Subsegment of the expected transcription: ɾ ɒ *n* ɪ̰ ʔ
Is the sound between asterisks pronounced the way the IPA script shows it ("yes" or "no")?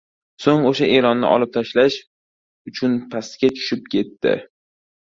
no